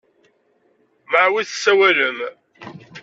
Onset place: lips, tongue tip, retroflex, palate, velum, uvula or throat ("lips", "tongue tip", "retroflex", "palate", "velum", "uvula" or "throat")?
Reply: lips